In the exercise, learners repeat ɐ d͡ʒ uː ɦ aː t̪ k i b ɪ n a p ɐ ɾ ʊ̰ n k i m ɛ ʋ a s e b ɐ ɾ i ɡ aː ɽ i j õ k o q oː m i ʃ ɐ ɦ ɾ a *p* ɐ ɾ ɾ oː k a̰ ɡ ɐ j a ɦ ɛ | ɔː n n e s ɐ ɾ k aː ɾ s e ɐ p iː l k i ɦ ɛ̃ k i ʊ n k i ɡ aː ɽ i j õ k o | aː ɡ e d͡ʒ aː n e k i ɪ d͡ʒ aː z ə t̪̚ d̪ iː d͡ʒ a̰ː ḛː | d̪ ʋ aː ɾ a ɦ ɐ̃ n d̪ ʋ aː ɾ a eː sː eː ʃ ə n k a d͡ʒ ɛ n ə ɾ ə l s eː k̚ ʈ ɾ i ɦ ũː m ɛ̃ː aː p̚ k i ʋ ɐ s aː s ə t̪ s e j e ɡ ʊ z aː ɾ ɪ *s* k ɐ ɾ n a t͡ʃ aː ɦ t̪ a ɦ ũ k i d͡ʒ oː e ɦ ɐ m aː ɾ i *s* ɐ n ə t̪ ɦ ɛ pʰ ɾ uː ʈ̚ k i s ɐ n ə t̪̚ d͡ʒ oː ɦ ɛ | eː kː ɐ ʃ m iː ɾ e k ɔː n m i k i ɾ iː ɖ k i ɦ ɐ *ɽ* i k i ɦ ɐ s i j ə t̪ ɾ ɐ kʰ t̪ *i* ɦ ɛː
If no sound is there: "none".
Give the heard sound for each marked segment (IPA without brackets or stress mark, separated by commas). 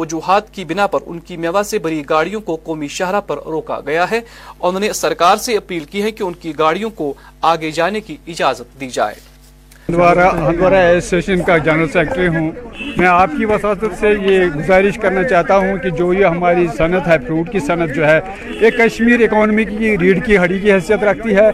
p, ʃ, s, ɽ, i